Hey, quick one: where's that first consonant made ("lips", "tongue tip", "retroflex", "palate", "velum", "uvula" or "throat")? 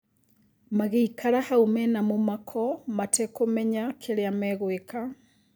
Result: lips